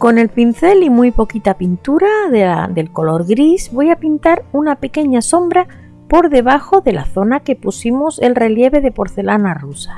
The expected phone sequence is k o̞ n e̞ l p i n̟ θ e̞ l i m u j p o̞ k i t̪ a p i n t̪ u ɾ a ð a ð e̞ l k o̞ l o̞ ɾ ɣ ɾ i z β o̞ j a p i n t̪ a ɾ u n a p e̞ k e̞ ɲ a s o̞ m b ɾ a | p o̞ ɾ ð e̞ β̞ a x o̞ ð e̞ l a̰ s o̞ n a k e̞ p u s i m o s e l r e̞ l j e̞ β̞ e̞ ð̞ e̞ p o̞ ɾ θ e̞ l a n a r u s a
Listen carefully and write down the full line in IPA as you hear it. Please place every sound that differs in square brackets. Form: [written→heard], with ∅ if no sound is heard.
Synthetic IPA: k o̞ n e̞ l p i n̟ θ e̞ l i m u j p o̞ k i t̪ a p i n t̪ u ɾ a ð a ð e̞ l k o̞ l o̞ ɾ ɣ ɾ i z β o̞ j a p i n t̪ a ɾ u n a p e̞ k e̞ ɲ a s o̞ m b ɾ a | p o̞ ɾ ð e̞ β̞ a x o̞ ð e̞ l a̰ [s→θ] o̞ n a k e̞ p u s i m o s e l r e̞ l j e̞ β̞ e̞ ð̞ e̞ p o̞ ɾ θ e̞ l a n a r u s a